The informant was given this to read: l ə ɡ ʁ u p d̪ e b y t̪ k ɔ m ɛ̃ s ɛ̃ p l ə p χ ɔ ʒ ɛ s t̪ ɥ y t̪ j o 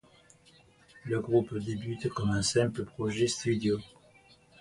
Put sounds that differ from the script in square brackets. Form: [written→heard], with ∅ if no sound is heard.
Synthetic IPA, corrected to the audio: l ə ɡ ʁ u p d̪ e b y t̪ k ɔ m ɛ̃ s ɛ̃ p l ə p χ ɔ ʒ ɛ s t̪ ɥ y [t̪→d̪] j o